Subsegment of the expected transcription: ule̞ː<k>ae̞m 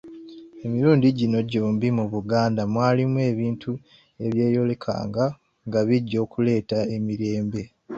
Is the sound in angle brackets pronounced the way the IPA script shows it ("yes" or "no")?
no